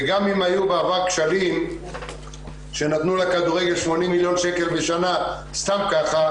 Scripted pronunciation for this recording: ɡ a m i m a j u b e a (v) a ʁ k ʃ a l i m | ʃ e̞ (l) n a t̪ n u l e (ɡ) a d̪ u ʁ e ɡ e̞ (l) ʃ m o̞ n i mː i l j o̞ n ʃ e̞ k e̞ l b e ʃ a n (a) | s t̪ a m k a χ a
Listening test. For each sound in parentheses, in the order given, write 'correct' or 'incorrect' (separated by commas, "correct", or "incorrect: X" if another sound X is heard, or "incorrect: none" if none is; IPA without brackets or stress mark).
correct, incorrect: none, incorrect: k, correct, correct